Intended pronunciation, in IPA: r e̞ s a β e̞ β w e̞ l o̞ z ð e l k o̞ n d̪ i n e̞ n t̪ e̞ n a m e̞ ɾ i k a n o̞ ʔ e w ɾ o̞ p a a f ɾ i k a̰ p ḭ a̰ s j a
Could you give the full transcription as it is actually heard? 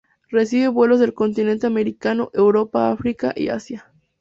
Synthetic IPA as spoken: r e̞ s i β e̞ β w e̞ l o̞ z ð e l k o̞ n t̪ i n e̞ n t̪ e̞ a m e̞ ɾ i k a n o̞ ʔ e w ɾ o̞ p a a f ɾ i k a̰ ʔ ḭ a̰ s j a